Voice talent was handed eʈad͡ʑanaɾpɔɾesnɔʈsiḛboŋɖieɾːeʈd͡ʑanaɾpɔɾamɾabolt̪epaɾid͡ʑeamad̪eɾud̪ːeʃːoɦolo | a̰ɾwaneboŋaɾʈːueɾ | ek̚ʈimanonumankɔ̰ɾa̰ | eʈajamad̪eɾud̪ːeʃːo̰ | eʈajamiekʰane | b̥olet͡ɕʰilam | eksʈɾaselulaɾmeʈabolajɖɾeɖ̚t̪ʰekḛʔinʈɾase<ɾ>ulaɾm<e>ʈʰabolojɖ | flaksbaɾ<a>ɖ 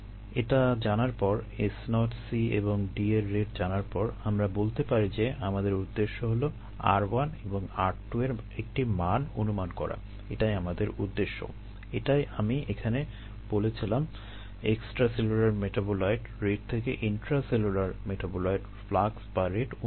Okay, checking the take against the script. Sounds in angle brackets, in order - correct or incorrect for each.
incorrect, correct, incorrect

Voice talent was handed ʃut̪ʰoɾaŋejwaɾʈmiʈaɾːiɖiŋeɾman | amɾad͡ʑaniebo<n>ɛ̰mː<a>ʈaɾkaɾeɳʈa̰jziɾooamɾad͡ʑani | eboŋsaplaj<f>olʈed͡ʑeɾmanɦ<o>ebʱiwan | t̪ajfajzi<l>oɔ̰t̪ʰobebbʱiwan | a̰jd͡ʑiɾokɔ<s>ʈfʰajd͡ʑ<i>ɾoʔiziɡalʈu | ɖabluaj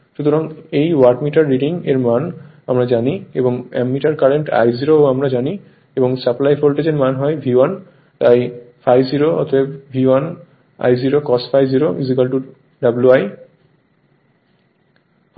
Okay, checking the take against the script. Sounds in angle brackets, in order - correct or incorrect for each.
incorrect, incorrect, correct, incorrect, incorrect, correct, correct

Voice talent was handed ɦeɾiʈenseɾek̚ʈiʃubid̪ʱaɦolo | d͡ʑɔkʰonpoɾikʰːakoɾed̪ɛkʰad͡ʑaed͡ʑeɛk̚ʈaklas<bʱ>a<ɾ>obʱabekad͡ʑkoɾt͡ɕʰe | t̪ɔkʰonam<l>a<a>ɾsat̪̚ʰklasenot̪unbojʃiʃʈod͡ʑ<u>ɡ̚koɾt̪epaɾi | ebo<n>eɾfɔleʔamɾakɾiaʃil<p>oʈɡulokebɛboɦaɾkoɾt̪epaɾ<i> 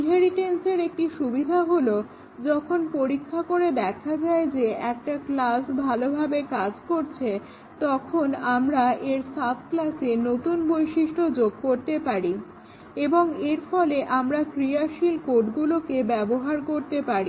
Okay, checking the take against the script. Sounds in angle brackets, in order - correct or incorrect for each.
correct, incorrect, incorrect, incorrect, incorrect, incorrect, incorrect, correct

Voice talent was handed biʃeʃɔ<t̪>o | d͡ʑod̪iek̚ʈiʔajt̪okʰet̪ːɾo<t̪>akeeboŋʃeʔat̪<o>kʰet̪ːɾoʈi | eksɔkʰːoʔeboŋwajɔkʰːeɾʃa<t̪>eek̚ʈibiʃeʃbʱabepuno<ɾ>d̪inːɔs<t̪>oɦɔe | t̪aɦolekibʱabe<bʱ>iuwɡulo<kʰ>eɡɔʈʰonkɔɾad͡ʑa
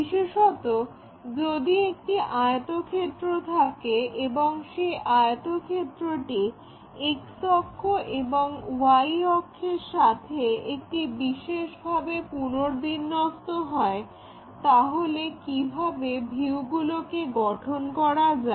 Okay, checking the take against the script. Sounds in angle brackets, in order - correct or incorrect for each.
correct, incorrect, correct, incorrect, correct, correct, correct, incorrect

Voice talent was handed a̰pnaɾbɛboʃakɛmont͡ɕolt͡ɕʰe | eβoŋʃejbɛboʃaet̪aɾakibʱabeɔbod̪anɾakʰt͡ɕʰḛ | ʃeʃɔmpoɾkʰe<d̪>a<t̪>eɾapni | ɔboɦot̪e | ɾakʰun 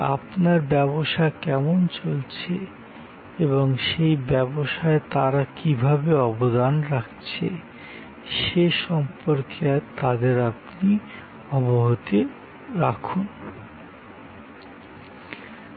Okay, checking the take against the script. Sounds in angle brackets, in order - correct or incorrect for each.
incorrect, incorrect

